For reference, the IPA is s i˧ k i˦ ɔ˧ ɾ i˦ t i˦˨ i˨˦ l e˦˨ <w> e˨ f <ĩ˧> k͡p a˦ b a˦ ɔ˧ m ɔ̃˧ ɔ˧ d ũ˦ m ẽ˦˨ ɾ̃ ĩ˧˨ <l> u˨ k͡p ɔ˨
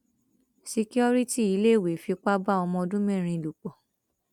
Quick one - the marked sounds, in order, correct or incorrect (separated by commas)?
correct, incorrect, correct